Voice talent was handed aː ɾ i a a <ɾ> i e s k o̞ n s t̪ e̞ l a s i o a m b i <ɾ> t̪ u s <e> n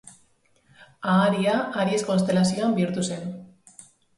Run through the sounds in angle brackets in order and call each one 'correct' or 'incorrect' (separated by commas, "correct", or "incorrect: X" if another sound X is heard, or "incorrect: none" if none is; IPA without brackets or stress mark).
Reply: correct, correct, correct